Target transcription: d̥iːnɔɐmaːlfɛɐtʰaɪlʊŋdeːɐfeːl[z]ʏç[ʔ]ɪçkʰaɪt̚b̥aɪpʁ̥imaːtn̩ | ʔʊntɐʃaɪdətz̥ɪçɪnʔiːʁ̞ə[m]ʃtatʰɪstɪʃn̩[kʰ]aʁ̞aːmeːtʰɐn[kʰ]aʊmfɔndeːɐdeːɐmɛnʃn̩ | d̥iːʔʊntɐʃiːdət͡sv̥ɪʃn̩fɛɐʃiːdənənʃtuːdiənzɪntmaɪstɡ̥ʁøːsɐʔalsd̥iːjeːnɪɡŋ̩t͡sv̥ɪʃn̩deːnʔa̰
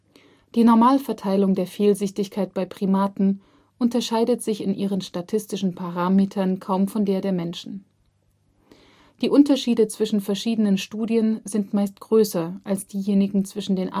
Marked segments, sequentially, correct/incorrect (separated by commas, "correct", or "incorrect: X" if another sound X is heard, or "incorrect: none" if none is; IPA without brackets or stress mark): correct, incorrect: t, incorrect: n, incorrect: pʰ, correct